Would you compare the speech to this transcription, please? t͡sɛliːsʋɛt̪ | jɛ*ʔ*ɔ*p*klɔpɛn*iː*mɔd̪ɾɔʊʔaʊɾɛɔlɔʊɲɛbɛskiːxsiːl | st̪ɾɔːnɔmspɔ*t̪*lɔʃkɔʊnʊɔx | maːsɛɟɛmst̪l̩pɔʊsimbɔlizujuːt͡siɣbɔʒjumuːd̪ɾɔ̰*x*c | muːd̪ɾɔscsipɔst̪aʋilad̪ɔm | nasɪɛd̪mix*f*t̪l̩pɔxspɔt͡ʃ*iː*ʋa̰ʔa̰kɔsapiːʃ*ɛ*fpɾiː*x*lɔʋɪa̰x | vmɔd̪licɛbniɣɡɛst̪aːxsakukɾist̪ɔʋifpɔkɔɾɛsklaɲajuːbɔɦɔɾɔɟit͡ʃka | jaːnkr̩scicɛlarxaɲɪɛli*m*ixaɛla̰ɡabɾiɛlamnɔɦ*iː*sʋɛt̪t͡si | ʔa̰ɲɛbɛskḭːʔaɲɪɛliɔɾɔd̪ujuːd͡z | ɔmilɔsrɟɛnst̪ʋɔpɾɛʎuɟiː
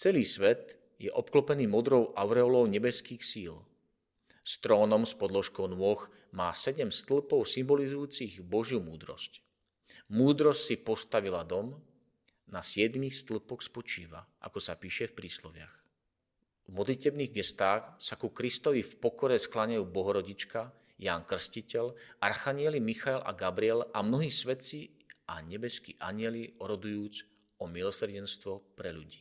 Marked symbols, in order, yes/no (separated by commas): yes, yes, yes, no, no, no, yes, yes, no, yes, yes